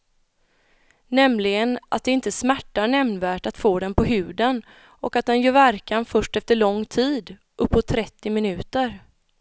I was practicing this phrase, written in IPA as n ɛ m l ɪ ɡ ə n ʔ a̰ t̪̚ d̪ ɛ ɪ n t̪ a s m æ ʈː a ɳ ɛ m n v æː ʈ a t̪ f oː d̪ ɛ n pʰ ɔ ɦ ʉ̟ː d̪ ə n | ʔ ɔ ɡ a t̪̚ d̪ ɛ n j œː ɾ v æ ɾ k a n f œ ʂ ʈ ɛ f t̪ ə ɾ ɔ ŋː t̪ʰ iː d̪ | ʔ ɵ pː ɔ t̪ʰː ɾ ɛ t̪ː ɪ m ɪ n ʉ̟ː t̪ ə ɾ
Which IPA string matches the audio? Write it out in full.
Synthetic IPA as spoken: n ɛ m l ɪ ɡ ə n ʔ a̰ t̪̚ d̪ ɛ ɪ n t̪ ə s m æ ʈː a ɳ ɛ m n v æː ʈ a t̪ f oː d̪ ɛ n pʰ ɔ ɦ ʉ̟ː d̪ ə n | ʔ ɔ k a t̪̚ d̪ ɛ n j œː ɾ v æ ɾ k a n f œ ʂ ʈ ɛ f t̪ ə ɭ ɔ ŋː t̪ʰ iː d̪ | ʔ ɵ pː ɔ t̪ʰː ɾ ɛ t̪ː ɪ m ɪ n ʉ̟ː t̪ ə ɾ